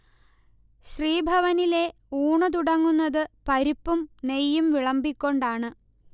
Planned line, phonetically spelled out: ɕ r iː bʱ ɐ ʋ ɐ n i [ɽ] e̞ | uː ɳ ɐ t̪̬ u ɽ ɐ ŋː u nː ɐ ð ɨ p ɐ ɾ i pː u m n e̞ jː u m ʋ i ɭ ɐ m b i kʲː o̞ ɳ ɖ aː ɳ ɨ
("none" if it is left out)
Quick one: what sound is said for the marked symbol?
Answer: l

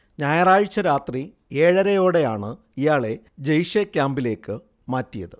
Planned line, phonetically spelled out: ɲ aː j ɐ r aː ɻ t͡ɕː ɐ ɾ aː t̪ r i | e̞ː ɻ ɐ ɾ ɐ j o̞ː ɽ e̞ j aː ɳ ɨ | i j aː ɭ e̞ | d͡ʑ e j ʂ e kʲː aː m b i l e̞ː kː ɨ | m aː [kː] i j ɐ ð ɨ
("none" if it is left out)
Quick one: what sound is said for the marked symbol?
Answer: tː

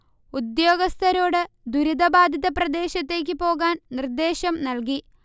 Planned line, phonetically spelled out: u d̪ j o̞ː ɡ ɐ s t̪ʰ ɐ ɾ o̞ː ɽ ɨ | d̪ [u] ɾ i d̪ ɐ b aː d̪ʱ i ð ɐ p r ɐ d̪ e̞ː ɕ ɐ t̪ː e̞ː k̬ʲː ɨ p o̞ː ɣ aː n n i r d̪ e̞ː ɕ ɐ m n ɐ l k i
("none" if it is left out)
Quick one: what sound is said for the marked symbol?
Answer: u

